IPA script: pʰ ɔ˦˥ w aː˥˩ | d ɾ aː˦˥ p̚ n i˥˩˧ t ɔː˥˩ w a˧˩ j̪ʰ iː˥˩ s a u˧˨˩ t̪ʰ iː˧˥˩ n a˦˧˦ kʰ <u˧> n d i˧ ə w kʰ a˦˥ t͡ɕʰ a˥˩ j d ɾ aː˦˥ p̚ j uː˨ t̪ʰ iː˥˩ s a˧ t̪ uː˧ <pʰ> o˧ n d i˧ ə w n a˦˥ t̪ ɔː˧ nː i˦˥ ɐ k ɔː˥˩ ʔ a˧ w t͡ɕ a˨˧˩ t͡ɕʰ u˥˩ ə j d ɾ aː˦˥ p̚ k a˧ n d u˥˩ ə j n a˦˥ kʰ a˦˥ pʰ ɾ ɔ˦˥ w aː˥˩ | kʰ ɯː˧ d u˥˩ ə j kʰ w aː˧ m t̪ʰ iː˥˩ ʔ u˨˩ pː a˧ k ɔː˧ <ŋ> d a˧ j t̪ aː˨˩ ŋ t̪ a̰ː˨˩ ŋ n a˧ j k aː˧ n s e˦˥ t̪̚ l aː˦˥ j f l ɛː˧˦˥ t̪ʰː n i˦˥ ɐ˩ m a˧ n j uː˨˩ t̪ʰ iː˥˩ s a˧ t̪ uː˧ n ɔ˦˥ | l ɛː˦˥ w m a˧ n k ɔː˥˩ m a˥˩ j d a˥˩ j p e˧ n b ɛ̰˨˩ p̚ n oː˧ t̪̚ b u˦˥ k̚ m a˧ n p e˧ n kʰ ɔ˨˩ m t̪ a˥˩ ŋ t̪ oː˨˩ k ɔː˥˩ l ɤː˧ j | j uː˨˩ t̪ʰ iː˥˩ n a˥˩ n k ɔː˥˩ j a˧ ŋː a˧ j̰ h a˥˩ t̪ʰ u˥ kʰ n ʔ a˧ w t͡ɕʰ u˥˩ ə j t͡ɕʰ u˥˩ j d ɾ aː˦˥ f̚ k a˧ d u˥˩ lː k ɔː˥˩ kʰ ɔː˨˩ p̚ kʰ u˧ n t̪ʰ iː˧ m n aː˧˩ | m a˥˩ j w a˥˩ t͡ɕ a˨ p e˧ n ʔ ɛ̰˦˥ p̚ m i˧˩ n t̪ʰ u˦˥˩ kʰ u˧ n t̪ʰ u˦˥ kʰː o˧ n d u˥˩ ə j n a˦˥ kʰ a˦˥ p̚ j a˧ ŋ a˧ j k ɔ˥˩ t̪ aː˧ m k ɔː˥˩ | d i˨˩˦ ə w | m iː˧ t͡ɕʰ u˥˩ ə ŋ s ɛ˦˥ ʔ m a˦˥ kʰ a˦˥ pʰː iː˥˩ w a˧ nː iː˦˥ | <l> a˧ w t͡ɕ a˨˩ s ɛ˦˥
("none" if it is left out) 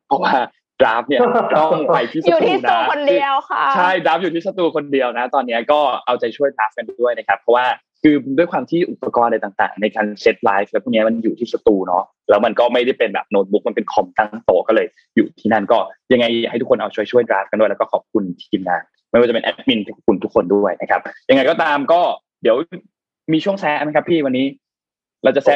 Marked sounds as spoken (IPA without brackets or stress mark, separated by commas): o˧, kʰ, n, ɾ